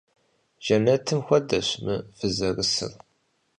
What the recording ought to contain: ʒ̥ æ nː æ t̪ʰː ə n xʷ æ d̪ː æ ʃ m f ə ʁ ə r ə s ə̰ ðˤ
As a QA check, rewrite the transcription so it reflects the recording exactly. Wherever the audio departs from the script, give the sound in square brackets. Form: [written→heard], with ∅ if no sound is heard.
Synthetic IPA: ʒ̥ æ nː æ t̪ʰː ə [n→m] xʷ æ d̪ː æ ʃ m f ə [ʁ→z] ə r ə s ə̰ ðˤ